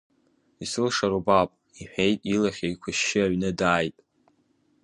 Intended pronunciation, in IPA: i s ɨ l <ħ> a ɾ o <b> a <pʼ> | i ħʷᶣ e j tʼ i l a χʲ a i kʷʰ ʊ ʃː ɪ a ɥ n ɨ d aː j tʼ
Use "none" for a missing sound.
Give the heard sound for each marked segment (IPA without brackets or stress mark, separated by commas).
ʂ, b, pʼ